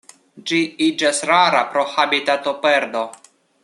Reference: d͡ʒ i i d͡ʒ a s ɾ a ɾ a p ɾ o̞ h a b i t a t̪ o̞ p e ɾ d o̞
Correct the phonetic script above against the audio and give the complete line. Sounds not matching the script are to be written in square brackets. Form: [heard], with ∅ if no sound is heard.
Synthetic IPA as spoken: d͡ʒ i i d͡ʒ a s ɾ a ɾ a p ɾ o̞ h a b i t a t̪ o̞ p e ɾ d o̞

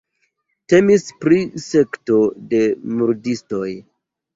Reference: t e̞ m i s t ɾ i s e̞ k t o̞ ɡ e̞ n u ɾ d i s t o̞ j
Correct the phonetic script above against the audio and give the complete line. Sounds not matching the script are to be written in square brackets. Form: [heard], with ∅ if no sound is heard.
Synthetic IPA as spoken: t e̞ m i s [p] ɾ i s e̞ k t o̞ [d] e̞ [m] u ɾ d i s t o̞ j

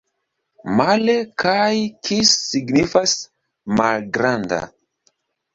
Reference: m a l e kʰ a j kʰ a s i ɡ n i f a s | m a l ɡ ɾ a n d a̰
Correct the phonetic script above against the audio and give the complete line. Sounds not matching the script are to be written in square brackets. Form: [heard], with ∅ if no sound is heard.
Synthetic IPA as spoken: m a l e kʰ a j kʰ [i] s i ɡ n i f a s | m a l ɡ ɾ a n d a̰

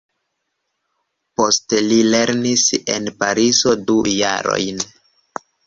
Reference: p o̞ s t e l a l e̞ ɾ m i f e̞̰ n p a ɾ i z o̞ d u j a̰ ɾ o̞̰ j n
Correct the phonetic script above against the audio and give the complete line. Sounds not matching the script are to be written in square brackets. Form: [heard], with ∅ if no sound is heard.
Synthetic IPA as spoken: p o̞ s t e l [i] l e̞ ɾ [n] i [s] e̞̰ n p a ɾ i z o̞ d u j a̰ ɾ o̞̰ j n

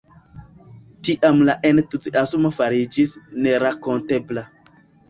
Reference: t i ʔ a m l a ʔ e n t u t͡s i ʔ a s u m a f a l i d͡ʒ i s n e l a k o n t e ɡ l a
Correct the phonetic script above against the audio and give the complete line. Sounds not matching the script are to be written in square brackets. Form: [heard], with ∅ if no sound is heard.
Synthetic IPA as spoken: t i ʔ a m l a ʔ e n t u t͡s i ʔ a s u m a f a [ɾ] i d͡ʒ i s n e [ɾ] a k o n t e [b] l a

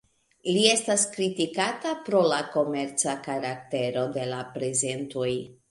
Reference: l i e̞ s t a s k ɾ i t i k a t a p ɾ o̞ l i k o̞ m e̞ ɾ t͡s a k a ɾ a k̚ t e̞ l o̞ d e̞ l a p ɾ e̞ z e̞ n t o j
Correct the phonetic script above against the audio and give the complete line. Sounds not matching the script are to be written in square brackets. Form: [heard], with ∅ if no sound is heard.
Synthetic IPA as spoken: l i e̞ s t a s k ɾ i t i k a t a p ɾ o̞ l [a] k o̞ m e̞ ɾ t͡s a k a ɾ a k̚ t e̞ [ɾ] o̞ d e̞ l a p ɾ e̞ z e̞ n t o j

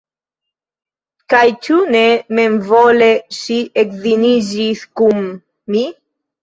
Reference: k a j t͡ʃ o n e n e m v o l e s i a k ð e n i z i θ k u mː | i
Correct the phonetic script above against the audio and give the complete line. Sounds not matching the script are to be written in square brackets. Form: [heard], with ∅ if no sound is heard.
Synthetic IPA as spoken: k a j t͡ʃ [u] n e [m] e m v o l e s i [e] k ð [i] n i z i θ k u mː | i

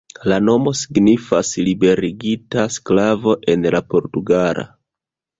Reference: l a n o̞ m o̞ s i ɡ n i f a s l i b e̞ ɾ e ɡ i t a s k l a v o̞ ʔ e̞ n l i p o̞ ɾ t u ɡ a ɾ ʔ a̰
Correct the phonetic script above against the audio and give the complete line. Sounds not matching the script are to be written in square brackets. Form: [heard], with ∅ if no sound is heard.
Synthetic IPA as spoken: l a n o̞ m o̞ s i ɡ n i f a s l i b e̞ ɾ [i] ɡ i t a s k l a v o̞ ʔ e̞ n l [a] p o̞ ɾ t u ɡ a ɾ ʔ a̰

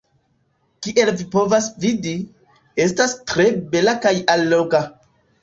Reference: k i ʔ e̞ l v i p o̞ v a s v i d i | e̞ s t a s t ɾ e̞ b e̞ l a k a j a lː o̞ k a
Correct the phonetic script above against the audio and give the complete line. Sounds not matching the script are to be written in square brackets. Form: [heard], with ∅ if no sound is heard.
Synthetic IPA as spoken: k i ʔ e̞ l v i p o̞ v a s v i d i | e̞ s t a s t ɾ e̞ b e̞ l a k a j a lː o̞ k a

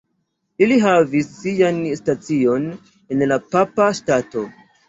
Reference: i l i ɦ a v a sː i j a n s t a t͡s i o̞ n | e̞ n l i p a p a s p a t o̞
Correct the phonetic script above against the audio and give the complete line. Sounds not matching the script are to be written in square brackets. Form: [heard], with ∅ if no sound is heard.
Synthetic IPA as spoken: i l i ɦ a v [i] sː i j a n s t a t͡s i o̞ n | e̞ n l [a] p a p a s [t] a t o̞

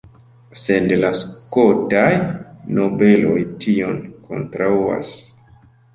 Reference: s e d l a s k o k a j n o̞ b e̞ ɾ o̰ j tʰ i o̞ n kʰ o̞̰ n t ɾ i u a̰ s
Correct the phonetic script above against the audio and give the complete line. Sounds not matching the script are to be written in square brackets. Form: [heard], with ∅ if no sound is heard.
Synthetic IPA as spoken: s e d l a s k o [t] a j n o̞ b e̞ [l] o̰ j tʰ i o̞ n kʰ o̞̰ n t ɾ [a] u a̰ s

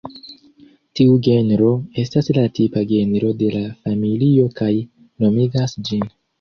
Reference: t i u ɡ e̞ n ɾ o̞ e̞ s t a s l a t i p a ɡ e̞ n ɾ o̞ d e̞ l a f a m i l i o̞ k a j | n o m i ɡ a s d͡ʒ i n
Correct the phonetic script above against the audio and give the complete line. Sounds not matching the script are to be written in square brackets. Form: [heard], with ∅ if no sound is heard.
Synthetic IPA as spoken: t i u ɡ e̞ n ɾ o̞ e̞ s t a s l a t i p a ɡ e̞ n ɾ o̞ d e̞ l a f a m i l i o̞ k a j | n o m i ɡ a s d͡ʒ i n

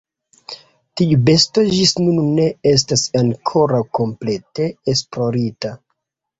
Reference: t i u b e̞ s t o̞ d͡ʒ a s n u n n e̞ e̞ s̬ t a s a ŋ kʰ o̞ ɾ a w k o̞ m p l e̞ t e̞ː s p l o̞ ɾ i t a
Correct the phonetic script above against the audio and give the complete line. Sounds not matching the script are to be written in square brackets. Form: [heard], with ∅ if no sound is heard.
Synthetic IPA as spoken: t i u b e̞ s t o̞ d͡ʒ [i] s n u n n e̞ e̞ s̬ t a s a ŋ kʰ o̞ ɾ a w k o̞ m p l e̞ t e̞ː s p l o̞ ɾ i t a

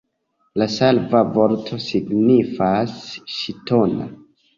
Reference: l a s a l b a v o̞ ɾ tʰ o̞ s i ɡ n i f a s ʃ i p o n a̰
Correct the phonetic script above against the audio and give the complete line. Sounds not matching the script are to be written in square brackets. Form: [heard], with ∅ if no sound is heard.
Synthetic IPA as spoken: l a s a l [v] a v o̞ ɾ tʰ o̞ s i ɡ n i f a s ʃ i [t] o n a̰

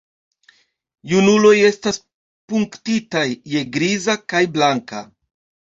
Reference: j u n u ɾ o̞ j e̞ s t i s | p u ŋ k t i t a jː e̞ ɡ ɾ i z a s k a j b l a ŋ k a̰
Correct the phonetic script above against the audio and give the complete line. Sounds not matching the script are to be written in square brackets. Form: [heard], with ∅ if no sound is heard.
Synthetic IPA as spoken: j u n u [l] o̞ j e̞ s t [a] s | p u ŋ k t i t a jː e̞ ɡ ɾ i z a [∅] k a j b l a ŋ k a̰

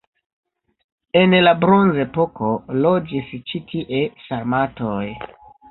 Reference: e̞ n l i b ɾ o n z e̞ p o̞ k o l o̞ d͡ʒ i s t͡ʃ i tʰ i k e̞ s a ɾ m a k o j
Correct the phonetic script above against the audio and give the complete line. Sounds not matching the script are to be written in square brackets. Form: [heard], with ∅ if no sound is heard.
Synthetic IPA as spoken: e̞ n l [a] b ɾ o n z e̞ p o̞ k o l o̞ d͡ʒ i s t͡ʃ i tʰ i [ʔ] e̞ s a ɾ m a [t] o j

